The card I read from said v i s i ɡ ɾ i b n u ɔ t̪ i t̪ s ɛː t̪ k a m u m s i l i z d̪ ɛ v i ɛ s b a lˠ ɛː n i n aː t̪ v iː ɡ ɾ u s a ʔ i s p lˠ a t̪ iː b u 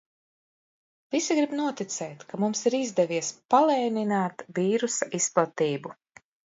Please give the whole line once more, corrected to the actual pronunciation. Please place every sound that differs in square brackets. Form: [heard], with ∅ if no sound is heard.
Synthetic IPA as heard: v i s i ɡ ɾ i b n u ɔ t̪ i t̪ s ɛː t̪ k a m u m s i [ɾ] i z d̪ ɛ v i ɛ s [p] a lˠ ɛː n i n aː t̪ v iː [∅] ɾ u s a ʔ i s p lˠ a t̪ iː b u